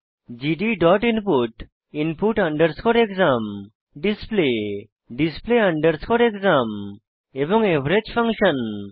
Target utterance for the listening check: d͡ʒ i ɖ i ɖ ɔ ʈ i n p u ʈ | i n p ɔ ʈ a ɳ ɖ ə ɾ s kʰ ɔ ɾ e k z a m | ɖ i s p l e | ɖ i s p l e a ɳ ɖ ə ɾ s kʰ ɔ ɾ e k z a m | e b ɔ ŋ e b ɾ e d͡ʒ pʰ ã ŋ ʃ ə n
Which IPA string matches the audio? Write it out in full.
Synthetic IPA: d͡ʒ i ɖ i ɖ ɔ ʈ i n p u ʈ | i n p u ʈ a ɳ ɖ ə ɾ s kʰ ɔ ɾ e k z a m | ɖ i s p l e | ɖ i s p l e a ɳ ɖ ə ɾ s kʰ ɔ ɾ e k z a m | e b ɔ ŋ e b ɾ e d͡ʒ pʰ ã ŋ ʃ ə n

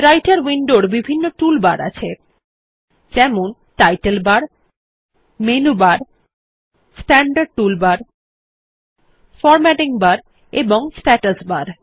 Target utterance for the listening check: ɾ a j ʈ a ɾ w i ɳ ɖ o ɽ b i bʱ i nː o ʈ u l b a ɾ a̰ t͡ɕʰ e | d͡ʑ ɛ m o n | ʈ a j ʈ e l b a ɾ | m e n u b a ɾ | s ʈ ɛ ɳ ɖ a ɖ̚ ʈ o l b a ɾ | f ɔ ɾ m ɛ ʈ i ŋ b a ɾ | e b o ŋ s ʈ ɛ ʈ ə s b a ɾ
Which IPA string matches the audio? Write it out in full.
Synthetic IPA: ɾ a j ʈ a ɾ w i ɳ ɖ o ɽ b i bʱ i nː o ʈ u l b a ɾ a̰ t͡ɕʰ e | d͡ʑ ɛ m o n | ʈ a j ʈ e l b a ɾ | m e n u b a ɾ | s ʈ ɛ ɳ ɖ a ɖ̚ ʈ u l b a ɾ | f ɔ ɾ m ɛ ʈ i ŋ b a ɾ | e b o ŋ s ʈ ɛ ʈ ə s b a ɾ

